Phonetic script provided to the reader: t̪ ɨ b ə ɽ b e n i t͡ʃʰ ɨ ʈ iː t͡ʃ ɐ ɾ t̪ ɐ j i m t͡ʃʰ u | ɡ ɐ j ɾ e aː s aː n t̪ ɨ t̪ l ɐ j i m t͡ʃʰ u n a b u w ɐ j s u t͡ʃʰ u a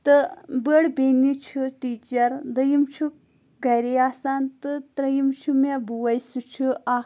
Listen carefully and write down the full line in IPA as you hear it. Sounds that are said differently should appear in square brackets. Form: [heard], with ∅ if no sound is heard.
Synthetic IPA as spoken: t̪ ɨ b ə ɽ b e n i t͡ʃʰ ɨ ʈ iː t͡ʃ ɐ ɾ [d̪] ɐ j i m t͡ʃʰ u | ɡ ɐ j ɾ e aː s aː n t̪ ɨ t̪ [ɾ] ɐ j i m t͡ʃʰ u [m] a b u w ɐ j s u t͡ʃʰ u a